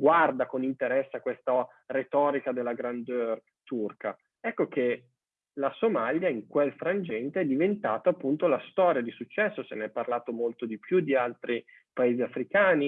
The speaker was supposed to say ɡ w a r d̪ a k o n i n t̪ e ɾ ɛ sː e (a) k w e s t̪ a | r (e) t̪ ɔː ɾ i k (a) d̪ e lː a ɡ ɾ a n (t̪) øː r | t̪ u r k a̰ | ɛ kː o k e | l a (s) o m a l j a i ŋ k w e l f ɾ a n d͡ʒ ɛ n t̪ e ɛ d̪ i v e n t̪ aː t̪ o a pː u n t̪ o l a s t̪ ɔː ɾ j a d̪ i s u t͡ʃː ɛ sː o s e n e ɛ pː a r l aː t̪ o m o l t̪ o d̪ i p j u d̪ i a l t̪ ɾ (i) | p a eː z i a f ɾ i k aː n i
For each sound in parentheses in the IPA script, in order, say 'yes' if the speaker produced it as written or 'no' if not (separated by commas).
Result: yes, yes, yes, no, yes, yes